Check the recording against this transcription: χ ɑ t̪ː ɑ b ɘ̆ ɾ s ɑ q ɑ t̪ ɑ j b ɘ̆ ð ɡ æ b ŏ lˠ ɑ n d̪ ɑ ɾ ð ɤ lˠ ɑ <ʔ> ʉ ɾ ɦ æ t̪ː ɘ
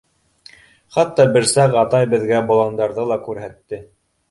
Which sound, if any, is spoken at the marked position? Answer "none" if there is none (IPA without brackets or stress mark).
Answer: k